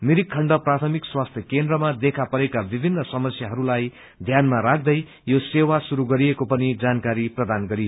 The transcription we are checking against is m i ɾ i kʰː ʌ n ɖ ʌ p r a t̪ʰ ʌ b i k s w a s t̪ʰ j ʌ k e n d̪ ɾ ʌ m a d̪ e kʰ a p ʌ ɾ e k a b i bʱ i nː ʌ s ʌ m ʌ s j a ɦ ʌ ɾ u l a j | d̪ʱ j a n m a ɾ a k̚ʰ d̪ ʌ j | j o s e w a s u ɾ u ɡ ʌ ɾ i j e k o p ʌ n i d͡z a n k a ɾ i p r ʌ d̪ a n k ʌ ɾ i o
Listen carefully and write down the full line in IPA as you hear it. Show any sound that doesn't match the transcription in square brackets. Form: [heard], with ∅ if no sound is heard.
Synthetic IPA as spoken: m i ɾ i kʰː ʌ [ɳ] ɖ ʌ p r a t̪ʰ ʌ [m] i k s w a s t̪ʰ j ʌ k e n d̪ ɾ ʌ m a d̪ e kʰ a p ʌ ɾ e k a b i bʱ i nː ʌ s ʌ m ʌ s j a ɦ ʌ ɾ u l a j | d̪ʱ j a n m a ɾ a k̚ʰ d̪ ʌ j | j o s e w a s u ɾ u ɡ ʌ ɾ i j e k o p ʌ n i d͡z a n k a ɾ i p r ʌ d̪ a n [ɡ] ʌ ɾ i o